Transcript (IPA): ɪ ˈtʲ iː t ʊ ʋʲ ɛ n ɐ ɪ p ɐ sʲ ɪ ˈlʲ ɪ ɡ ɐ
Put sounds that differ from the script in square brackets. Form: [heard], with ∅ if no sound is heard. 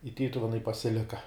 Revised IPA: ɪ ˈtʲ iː t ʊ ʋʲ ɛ n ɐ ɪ p ɐ sʲ ɪ ˈlʲ ɪ [k] ɐ